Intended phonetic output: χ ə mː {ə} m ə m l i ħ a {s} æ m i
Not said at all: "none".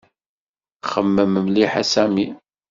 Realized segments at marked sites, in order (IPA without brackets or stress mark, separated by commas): ə, s